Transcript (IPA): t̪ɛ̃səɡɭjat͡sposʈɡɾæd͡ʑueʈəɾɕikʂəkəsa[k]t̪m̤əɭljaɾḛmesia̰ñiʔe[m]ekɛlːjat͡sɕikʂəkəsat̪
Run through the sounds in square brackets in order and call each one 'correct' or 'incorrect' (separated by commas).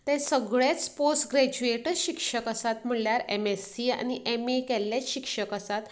incorrect, correct